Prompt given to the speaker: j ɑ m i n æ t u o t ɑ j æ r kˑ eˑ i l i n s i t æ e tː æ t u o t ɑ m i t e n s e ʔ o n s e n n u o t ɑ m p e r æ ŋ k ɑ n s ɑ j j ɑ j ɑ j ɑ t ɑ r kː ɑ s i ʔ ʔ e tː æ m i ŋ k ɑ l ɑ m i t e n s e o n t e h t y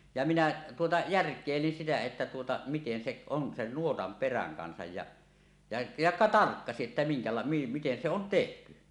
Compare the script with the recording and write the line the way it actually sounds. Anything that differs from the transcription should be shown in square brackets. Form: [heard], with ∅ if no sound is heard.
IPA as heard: j ɑ m i n æ t u o t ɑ j æ r kˑ eˑ i l i n s i t æ e tː æ t u o t ɑ m i t e n s e ʔ o n s e n n u o t ɑ m p e r æ ŋ k ɑ n s ɑ j j ɑ j ɑ j ɑ t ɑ r kː ɑ s i ʔ ʔ e tː æ m i ŋ k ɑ l ɑ m i t e n s e o n t e h t y